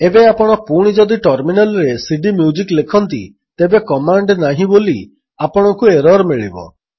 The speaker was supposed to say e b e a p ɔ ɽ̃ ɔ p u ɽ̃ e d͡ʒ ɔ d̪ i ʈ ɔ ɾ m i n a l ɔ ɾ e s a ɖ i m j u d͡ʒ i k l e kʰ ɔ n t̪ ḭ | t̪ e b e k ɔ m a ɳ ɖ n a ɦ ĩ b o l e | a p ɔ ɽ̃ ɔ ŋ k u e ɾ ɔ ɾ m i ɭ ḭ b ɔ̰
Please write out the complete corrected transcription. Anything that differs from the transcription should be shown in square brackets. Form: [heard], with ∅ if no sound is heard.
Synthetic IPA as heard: e b e a p ɔ ɽ̃ ɔ p u ɽ̃ [i] d͡ʒ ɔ d̪ i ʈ ɔ ɾ m i n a l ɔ ɾ e s [i] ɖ i m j u d͡ʒ i k l e kʰ ɔ n t̪ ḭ | t̪ e b e k ɔ m a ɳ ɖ n a ɦ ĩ b o l [i] | a p ɔ ɽ̃ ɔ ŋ k u e ɾ ɔ ɾ m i ɭ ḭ b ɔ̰

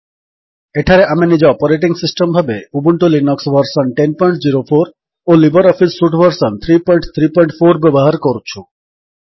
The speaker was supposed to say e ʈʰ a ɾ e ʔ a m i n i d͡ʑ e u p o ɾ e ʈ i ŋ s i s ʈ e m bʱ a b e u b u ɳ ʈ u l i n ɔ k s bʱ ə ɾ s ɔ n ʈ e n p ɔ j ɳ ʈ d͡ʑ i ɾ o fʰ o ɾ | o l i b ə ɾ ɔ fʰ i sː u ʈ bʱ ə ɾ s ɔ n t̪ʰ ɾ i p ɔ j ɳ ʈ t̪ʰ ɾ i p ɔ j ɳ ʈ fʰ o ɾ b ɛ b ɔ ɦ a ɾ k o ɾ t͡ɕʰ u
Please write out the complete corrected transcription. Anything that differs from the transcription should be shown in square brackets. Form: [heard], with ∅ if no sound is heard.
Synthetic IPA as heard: e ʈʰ a ɾ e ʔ a m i n i d͡ʑ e [ɔ] p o ɾ e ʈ i ŋ s i s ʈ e m bʱ a b e u b u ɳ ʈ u l i n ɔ k s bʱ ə ɾ s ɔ n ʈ e n p ɔ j ɳ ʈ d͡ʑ i ɾ o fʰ o ɾ | o l i b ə ɾ ɔ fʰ i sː u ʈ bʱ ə ɾ s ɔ n t̪ʰ ɾ i p ɔ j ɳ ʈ t̪ʰ ɾ i p ɔ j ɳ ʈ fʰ o ɾ b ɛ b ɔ ɦ a ɾ k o ɾ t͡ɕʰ u

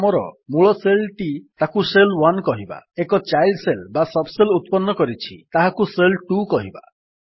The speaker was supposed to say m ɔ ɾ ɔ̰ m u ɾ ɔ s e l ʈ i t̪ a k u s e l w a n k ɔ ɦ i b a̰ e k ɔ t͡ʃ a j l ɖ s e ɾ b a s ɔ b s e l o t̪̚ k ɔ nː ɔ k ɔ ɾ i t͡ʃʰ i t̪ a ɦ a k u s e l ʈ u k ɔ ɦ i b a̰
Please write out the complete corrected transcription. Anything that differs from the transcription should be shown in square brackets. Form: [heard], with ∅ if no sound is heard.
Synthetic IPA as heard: m ɔ ɾ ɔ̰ m u [ɭ] ɔ s e l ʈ i t̪ a k u s e l w a n k ɔ ɦ i b a̰ e k ɔ t͡ʃ a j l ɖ s e [l] b a s ɔ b s e l [u] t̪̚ [p] ɔ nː ɔ k ɔ ɾ i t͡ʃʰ i t̪ a ɦ a k u s e l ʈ u k ɔ ɦ i b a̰

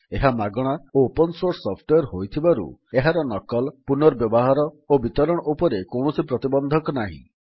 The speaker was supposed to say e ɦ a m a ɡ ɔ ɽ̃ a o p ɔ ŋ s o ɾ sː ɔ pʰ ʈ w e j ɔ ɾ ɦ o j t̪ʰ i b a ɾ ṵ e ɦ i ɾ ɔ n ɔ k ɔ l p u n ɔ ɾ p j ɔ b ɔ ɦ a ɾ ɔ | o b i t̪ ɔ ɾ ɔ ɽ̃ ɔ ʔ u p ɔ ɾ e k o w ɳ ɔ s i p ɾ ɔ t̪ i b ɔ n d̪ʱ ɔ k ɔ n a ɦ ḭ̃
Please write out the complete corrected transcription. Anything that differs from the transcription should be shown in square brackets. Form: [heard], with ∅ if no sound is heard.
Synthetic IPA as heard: e ɦ a m a ɡ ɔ ɽ̃ a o p ɔ [n] s o ɾ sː ɔ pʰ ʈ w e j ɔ ɾ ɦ o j t̪ʰ i b a ɾ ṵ e ɦ [a] ɾ ɔ n ɔ k ɔ l p u n ɔ ɾ [b] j ɔ b ɔ ɦ a ɾ ɔ | o b i t̪ ɔ ɾ ɔ ɽ̃ ɔ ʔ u p ɔ ɾ e k o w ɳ ɔ s i p ɾ ɔ t̪ i b ɔ n d̪ʱ ɔ k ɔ n a ɦ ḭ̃

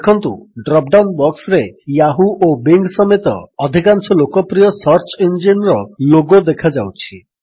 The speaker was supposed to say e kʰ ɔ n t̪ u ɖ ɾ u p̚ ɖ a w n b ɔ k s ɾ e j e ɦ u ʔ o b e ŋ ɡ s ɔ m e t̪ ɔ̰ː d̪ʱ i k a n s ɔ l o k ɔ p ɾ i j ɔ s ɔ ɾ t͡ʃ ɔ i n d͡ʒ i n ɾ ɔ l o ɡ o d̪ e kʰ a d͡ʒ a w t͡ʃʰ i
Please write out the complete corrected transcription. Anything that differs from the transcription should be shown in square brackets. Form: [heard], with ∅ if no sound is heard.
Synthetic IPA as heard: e kʰ ɔ n t̪ u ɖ ɾ [ɔ] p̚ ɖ a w n b ɔ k s ɾ e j [a] ɦ u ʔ o b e ŋ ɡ s ɔ m e t̪ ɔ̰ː d̪ʱ i k a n s ɔ l o k ɔ p ɾ i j ɔ s ɔ ɾ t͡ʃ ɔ i n d͡ʒ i n ɾ ɔ l o ɡ o d̪ e kʰ a d͡ʒ a w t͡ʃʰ i

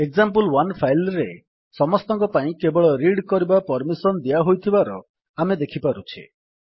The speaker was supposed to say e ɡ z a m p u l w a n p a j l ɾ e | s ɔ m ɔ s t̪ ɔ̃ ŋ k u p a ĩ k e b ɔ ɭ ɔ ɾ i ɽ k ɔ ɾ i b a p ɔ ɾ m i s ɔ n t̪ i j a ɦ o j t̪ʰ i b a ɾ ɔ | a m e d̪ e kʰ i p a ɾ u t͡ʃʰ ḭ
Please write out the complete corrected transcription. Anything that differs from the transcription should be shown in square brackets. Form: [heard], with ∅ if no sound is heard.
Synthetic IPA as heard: e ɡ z a m p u l w a n [pʰ] a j l ɾ e | s ɔ m ɔ s t̪ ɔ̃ ŋ k [ɔ] p a ĩ k e b ɔ ɭ ɔ ɾ i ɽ k ɔ ɾ i b a p ɔ ɾ m i s ɔ n [d̪] i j a ɦ o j t̪ʰ i b a ɾ ɔ | a m e d̪ e kʰ i p a ɾ u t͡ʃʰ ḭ

